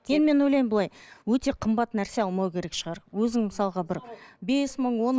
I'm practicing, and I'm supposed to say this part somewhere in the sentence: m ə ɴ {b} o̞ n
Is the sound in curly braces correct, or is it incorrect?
incorrect